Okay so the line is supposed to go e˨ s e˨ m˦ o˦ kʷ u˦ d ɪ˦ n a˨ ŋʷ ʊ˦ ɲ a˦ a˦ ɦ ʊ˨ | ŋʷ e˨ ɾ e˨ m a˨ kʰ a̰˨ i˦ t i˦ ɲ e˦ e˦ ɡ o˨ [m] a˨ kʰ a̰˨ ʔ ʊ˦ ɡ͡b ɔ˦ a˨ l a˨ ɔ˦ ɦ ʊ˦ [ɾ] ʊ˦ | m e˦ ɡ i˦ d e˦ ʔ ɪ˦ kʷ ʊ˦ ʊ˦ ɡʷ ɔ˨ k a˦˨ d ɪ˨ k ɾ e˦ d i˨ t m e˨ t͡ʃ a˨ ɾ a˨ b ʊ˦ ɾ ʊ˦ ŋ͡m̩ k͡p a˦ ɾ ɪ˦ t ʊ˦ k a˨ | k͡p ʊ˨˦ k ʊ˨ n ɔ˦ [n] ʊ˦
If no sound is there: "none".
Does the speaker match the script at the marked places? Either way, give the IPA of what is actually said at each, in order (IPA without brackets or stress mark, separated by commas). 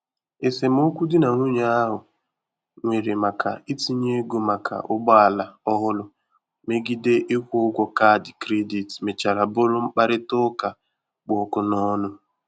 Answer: m, l, n